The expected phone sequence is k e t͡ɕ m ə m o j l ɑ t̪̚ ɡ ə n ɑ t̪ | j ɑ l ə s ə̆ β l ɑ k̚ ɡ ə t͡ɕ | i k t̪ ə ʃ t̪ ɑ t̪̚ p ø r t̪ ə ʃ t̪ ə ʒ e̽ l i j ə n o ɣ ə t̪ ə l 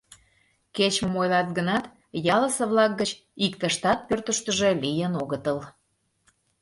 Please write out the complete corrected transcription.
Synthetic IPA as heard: k e t͡ɕ m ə m o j l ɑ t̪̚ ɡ ə n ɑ t̪ | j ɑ l ə s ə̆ β l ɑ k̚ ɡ ə t͡ɕ | i k t̪ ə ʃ t̪ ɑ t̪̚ p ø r t̪ ə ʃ t̪ ə ʒ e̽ l i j ə n o ɣ ə t̪ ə l